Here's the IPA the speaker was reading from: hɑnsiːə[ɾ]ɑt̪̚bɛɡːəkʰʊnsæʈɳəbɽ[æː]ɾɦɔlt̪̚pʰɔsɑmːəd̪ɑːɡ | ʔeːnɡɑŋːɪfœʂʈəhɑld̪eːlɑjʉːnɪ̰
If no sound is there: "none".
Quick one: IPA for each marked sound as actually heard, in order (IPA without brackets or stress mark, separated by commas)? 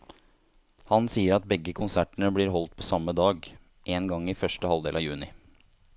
ɾ, iː